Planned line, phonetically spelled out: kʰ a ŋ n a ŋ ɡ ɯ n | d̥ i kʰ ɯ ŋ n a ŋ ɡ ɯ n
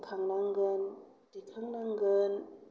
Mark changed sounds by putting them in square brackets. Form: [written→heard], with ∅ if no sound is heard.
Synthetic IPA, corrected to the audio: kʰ a ŋ n a ŋ ɡ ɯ n | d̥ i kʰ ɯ ŋ n a ŋ ɡ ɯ n